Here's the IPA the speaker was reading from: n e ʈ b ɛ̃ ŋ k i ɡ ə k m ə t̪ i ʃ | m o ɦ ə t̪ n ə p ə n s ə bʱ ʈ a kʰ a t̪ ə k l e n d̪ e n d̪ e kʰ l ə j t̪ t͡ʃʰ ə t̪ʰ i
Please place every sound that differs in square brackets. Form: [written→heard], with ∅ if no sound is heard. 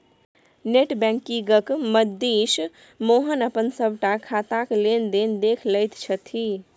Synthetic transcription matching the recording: n e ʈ b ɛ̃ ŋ k i ɡ ə k m ə [t̪→d̪] i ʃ | m o ɦ ə [t̪→∅] n ə p ə n s ə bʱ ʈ a kʰ a t̪ [ə→a] k l e n d̪ e n d̪ e kʰ l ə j t̪ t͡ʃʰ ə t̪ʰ i